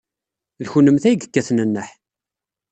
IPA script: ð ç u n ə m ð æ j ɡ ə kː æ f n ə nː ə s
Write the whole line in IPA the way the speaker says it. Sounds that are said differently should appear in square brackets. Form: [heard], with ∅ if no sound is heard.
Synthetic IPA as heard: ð ç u n ə m [θ] æ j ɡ ə kː æ [θ] n ə nː ə [ħ]